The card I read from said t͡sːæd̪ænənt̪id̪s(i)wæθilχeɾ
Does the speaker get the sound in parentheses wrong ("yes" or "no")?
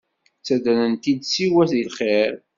no